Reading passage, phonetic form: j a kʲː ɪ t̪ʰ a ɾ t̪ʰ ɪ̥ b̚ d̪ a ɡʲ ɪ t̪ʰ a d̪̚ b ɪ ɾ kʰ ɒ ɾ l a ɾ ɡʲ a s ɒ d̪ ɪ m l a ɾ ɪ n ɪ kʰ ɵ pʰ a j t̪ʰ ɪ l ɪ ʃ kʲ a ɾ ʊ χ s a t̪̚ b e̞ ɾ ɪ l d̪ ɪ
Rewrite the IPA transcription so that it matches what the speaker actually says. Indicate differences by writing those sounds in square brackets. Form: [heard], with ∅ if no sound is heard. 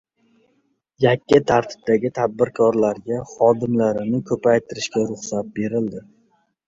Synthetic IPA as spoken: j a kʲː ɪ t̪ʰ a ɾ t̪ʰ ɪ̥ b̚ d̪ a ɡʲ ɪ t̪ʰ a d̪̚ b ɪ ɾ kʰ ɒ ɾ l a ɾ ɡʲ a [χ] ɒ d̪ ɪ m l a ɾ ɪ n ɪ kʰ ɵ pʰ a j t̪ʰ ɪ [ɾ] ɪ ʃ kʲ a ɾ ʊ χ s a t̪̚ b e̞ ɾ ɪ l d̪ ɪ